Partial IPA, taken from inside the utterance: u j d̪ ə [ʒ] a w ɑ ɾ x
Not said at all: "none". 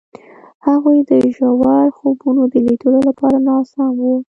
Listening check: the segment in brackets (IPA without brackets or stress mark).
ʒ